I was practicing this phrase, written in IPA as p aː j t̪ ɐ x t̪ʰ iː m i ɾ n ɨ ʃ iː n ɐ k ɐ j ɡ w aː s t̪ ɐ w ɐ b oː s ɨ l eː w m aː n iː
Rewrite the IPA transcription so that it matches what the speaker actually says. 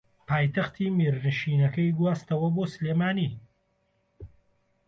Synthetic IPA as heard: p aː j t̪ ɐ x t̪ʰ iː m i ɾ n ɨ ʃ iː n ɐ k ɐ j ɡ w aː s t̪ ɐ w ɐ b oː s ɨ l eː m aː n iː